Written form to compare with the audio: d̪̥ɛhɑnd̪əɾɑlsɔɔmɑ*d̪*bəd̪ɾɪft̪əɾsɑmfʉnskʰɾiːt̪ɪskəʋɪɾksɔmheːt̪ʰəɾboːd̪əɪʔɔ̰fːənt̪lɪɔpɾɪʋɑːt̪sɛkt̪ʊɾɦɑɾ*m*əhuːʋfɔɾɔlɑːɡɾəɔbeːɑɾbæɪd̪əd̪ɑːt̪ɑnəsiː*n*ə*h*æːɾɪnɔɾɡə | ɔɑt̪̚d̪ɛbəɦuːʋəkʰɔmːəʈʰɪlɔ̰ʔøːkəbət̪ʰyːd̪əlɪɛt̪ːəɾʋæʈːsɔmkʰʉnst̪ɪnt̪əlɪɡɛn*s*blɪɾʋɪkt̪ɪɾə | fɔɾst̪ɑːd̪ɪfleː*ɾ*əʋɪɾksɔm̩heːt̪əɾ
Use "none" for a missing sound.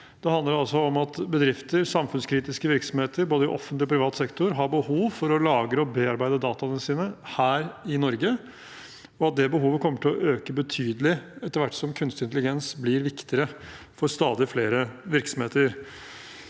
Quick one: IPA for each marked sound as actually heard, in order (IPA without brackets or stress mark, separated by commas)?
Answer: t̪, b, n, h, s, ɾ